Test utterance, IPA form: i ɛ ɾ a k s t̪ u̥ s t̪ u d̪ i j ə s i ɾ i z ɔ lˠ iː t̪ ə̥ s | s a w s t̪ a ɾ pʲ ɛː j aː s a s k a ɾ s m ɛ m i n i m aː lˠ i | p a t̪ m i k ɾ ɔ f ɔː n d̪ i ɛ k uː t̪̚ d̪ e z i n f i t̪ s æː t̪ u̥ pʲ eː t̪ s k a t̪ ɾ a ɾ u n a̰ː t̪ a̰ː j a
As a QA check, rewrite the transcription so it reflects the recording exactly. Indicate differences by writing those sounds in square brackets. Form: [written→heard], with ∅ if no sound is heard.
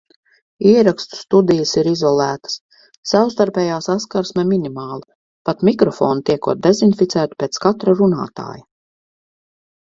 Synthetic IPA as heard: i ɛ ɾ a k s t̪ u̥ s t̪ u d̪ i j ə s i ɾ i z ɔ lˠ [iː→æː] t̪ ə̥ s | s a w s t̪ a ɾ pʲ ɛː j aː s a s k a ɾ s m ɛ m i n i m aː lˠ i | p a t̪ m i k ɾ ɔ f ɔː n [d̪→t̪] i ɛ k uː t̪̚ d̪ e z i n f i t̪ s æː t̪ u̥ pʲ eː t̪ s k a t̪ ɾ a ɾ u n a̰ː t̪ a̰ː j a

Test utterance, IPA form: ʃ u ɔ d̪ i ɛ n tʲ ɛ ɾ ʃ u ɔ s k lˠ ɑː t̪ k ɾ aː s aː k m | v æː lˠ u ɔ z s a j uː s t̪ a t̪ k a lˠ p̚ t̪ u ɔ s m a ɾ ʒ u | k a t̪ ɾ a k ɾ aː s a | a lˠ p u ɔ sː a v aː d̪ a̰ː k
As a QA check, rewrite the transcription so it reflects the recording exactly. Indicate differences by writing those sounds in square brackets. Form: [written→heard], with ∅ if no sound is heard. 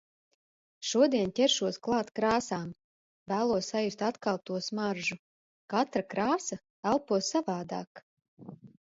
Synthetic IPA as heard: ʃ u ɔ d̪ i ɛ n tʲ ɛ ɾ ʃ u ɔ s k lˠ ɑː t̪ k ɾ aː s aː [k→∅] m | v æː lˠ u ɔ [z→s] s a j [uː→u] s t̪ a t̪ k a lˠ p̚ t̪ u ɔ s m a ɾ ʒ u | k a t̪ ɾ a k ɾ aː s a | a lˠ p u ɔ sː a v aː d̪ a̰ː k

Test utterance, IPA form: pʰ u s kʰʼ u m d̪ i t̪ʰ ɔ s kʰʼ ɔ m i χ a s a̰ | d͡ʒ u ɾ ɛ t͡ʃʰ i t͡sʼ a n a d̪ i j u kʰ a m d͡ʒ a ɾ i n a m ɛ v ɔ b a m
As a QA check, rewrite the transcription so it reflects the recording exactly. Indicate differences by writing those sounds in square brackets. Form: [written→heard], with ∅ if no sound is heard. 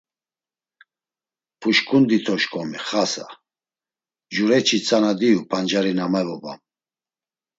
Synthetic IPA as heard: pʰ u [s→ʃ] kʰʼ u [m→n] d̪ i t̪ʰ ɔ [s→ʃ] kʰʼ ɔ m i χ a s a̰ | d͡ʒ u ɾ ɛ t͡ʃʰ i t͡sʼ a n a d̪ i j u [kʰ→pʰ] a [m→n] d͡ʒ a ɾ i n a m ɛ v ɔ b a m

